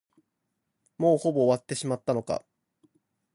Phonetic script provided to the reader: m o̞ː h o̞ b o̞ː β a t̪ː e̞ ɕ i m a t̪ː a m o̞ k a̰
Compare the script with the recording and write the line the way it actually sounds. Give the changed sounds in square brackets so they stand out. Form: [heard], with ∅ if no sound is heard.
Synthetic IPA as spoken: m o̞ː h o̞ b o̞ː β a t̪ː e̞ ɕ i m a t̪ː a [n] o̞ k a̰